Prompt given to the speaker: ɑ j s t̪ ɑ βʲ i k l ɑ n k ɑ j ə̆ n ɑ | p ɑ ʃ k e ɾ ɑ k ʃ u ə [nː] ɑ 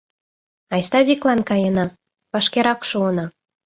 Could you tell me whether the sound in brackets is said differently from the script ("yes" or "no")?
yes